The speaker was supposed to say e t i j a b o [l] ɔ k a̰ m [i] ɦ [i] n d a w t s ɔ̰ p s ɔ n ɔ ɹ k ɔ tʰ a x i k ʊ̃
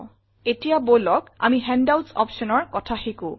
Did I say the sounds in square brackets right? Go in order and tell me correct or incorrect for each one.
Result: correct, correct, incorrect

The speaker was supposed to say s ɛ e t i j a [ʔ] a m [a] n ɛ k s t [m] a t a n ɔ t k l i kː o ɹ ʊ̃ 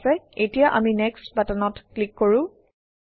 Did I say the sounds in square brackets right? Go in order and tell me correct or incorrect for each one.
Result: correct, incorrect, incorrect

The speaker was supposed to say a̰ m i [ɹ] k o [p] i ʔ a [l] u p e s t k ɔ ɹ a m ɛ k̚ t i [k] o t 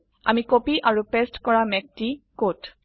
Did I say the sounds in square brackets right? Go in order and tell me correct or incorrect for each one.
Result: incorrect, correct, incorrect, correct

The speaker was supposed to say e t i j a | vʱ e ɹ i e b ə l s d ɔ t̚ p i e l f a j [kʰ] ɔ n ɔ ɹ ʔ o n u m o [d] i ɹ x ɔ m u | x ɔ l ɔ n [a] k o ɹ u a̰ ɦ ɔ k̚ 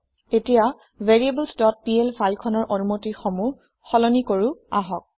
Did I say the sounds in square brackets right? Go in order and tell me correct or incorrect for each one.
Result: correct, incorrect, incorrect

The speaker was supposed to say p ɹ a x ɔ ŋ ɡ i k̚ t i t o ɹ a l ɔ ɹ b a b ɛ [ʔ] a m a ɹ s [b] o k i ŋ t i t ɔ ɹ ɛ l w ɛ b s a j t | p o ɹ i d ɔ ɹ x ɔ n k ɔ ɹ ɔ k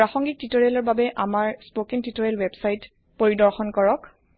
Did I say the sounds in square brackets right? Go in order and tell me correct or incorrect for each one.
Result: correct, incorrect

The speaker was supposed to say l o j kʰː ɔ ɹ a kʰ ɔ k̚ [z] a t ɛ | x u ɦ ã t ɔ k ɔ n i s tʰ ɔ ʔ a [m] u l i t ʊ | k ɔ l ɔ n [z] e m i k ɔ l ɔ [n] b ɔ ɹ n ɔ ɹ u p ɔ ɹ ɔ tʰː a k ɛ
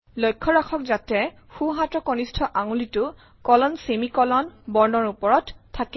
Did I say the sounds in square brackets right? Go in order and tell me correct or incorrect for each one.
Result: correct, incorrect, incorrect, correct

